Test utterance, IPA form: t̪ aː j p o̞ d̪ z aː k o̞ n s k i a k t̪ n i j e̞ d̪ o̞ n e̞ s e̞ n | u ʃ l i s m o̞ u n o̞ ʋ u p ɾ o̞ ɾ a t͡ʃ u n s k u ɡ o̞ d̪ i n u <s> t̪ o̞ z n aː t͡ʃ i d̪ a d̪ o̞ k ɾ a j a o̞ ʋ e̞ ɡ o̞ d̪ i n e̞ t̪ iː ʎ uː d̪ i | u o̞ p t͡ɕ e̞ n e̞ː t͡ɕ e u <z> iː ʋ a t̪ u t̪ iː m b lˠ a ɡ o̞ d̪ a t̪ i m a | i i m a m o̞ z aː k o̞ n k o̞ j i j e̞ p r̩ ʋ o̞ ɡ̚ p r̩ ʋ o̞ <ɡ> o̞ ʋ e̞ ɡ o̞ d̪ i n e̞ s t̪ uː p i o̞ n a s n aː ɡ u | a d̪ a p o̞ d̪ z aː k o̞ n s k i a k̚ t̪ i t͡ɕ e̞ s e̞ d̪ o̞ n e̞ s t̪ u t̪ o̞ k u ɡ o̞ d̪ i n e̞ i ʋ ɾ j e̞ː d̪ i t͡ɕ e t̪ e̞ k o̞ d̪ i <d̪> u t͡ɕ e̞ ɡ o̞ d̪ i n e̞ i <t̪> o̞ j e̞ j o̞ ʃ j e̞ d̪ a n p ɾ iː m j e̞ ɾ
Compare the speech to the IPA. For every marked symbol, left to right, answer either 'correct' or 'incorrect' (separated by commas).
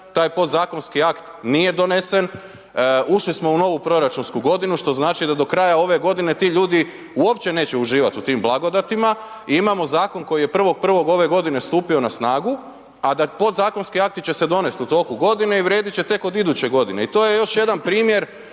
incorrect, incorrect, correct, correct, correct